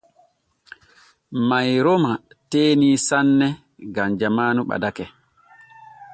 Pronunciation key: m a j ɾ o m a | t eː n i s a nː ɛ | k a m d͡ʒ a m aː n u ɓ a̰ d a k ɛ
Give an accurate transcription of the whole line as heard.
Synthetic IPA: m a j ɾ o m a | t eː n i s a nː ɛ | ɡ a m d͡ʒ a m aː n u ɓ a̰ d a k ɛ